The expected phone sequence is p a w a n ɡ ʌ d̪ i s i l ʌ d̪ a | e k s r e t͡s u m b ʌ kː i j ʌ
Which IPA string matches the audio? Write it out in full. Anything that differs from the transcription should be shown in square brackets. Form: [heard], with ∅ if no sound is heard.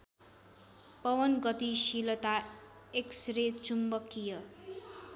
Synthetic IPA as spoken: p [ʌ] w [ʌ] n ɡ ʌ [t̪] i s i l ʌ [t̪] a | e k s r e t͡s u m b ʌ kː i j ʌ